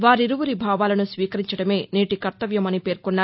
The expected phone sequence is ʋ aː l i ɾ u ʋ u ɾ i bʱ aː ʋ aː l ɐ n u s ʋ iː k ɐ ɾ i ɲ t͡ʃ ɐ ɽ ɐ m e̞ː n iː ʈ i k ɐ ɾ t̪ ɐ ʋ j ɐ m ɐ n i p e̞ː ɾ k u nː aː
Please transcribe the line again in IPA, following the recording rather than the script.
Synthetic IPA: ʋ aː ɾ i ɾ u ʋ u ɾ i bʱ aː ʋ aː l ɐ n u s ʋ iː k ɐ ɾ i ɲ t͡ʃ ɐ ɽ ɐ m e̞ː n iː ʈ i k ɐ ɾ t̪ ɐ ʋ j ɐ m ɐ n i p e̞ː ɾ k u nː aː